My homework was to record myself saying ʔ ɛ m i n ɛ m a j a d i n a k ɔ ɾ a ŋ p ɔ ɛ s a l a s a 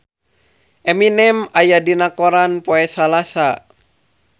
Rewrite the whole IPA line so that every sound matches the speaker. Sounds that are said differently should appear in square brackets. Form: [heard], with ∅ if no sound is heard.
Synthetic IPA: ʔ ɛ m i n ɛ m a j a d i n a k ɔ ɾ a [n] p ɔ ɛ s a l a s a